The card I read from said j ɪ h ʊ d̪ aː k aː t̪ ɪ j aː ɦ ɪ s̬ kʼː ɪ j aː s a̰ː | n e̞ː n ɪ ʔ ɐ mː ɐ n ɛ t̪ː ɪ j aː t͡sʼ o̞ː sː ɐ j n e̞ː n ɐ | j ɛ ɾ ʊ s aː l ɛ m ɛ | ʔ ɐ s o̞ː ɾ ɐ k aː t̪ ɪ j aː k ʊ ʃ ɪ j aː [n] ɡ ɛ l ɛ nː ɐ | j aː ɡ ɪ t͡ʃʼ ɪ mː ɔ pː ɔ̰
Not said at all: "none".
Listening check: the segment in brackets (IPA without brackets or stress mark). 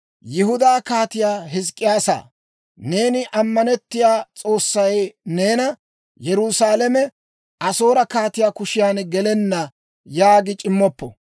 n